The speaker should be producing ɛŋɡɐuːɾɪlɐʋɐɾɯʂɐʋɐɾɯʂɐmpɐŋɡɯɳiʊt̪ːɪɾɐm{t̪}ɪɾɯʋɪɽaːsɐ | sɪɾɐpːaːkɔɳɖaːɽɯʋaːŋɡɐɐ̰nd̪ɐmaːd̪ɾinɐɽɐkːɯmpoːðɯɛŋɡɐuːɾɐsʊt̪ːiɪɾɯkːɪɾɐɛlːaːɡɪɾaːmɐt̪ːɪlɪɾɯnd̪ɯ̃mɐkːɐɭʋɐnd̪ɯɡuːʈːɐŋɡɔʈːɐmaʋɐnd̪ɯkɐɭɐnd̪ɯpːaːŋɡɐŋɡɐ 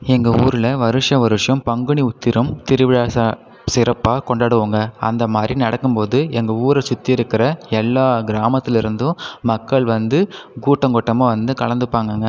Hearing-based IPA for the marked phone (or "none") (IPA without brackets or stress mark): t̪